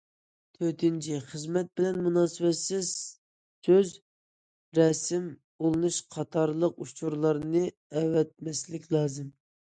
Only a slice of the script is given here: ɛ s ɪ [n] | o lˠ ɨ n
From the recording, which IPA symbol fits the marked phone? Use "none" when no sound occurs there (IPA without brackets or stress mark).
m